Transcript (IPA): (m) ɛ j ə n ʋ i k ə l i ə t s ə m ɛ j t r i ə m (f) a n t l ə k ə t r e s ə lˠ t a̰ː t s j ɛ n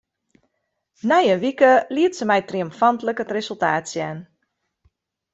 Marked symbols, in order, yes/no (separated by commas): no, yes